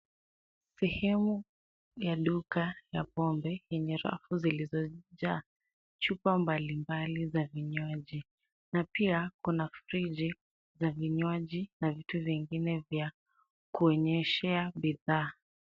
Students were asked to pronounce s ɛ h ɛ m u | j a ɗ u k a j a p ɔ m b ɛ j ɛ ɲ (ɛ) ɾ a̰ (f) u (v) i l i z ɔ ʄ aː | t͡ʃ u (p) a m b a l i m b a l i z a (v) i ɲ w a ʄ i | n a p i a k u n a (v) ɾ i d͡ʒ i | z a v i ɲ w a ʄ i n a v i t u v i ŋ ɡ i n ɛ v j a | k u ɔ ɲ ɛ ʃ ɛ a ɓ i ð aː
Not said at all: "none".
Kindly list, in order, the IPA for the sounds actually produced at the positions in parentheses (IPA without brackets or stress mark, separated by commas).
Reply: ɛ, f, z, p, v, f